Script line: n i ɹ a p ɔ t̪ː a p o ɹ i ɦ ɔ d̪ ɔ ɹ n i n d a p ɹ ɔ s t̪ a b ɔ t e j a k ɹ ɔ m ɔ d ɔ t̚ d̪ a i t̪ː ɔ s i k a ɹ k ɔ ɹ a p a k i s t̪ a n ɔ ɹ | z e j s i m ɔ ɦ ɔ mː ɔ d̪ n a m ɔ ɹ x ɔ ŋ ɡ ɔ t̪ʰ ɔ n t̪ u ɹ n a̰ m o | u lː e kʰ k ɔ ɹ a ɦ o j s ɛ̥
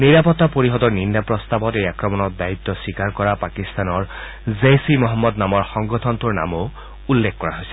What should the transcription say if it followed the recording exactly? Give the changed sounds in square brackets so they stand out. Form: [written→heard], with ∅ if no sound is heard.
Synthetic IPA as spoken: n i ɹ a p ɔ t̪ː a p o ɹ i ɦ ɔ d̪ ɔ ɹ n i n d a p ɹ ɔ s t̪ a b ɔ t e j a k ɹ ɔ m ɔ [d→n] ɔ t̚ d̪ a i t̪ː ɔ s i k a ɹ k ɔ ɹ a p a k i s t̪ a n ɔ ɹ | z e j s i m ɔ ɦ ɔ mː ɔ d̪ n a m ɔ ɹ x ɔ ŋ ɡ ɔ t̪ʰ ɔ n t̪ u ɹ n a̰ m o | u lː e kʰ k ɔ ɹ a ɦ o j s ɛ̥